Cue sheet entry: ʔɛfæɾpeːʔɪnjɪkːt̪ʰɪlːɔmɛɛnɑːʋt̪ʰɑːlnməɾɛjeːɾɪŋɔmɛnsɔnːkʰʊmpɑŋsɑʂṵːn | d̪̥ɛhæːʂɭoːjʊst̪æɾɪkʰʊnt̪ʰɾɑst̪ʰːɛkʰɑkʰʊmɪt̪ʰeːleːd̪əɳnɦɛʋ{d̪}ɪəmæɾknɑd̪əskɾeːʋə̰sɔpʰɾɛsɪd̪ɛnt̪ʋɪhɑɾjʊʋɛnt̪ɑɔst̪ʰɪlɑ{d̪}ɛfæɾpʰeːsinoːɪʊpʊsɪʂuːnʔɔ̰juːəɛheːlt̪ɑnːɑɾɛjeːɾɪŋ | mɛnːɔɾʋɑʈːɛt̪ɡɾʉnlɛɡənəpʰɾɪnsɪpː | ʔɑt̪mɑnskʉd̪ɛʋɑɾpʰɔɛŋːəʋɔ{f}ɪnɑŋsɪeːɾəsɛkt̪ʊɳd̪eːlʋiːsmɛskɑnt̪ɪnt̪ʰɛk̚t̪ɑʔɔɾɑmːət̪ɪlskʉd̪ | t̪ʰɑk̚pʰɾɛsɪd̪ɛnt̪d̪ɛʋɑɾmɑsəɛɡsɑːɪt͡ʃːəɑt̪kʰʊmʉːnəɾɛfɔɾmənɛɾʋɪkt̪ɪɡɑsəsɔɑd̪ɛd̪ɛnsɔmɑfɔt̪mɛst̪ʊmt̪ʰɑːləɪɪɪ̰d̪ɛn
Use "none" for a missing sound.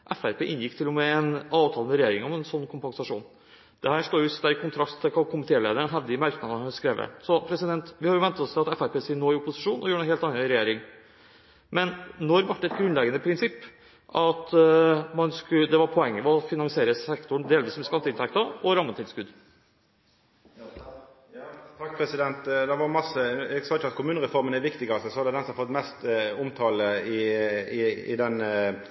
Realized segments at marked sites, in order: d̪, t̪, f

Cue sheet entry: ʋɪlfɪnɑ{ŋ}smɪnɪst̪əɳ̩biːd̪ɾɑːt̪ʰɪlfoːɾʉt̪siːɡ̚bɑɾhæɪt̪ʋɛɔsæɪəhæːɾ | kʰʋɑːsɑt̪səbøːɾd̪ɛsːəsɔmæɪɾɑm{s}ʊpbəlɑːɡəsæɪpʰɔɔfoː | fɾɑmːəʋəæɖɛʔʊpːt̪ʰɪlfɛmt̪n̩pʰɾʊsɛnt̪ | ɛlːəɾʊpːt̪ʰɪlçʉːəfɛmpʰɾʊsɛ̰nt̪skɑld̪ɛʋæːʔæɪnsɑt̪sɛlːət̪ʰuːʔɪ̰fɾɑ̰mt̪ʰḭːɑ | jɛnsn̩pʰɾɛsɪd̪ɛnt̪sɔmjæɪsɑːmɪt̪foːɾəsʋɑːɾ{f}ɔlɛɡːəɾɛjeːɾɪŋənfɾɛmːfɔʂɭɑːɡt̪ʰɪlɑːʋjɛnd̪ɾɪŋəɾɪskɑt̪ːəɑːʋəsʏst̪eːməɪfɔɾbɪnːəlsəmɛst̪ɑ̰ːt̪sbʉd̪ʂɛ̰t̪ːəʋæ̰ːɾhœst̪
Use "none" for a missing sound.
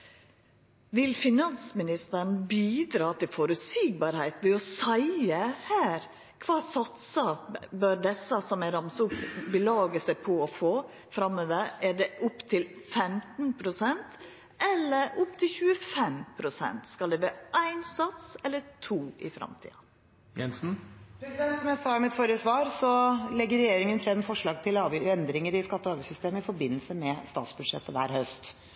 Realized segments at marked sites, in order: n, s, s

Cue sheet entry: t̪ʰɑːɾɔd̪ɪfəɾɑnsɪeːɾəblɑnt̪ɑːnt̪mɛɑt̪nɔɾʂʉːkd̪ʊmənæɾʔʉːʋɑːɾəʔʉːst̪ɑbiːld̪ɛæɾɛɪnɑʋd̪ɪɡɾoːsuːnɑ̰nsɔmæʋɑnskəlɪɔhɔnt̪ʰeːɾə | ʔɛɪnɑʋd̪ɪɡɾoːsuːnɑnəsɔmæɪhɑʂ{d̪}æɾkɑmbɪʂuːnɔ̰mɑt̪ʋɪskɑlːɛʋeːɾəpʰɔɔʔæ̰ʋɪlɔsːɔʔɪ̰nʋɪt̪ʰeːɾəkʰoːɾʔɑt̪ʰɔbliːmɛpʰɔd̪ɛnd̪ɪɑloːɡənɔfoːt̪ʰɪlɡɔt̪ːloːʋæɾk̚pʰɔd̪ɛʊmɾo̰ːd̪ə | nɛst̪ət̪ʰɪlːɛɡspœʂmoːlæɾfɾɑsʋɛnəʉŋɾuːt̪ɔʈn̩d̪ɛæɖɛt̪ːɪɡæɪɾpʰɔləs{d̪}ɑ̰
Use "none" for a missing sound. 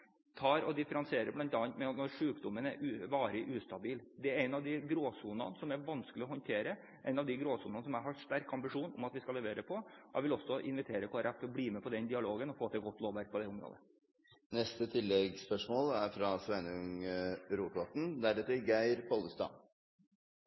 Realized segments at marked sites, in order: t̪, t̪

